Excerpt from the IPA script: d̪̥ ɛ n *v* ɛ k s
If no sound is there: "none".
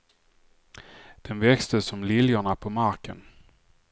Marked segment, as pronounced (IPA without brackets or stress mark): v